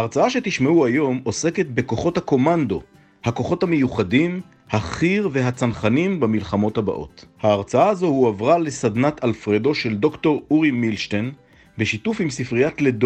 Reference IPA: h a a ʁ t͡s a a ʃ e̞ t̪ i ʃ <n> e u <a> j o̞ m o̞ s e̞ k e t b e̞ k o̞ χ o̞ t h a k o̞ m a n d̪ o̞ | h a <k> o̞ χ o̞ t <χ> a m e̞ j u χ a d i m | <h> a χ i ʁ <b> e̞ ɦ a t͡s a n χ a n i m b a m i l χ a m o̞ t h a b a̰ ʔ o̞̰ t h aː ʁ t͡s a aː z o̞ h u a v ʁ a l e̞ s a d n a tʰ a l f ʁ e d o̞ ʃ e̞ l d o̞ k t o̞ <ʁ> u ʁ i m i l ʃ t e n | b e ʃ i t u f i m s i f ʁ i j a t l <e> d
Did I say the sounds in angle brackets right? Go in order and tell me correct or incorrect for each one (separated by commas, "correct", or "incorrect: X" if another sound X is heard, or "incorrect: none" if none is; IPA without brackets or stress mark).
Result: incorrect: m, correct, correct, incorrect: h, correct, incorrect: v, correct, correct